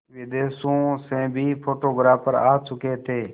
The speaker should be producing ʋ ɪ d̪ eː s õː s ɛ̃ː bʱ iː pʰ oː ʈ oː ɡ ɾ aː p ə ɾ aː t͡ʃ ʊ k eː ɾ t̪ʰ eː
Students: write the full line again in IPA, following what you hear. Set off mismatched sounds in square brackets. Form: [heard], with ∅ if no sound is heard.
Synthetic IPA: ʋ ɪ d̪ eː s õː s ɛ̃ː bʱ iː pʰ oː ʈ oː ɡ ɾ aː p ə ɾ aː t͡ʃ ʊ k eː [∅] t̪ʰ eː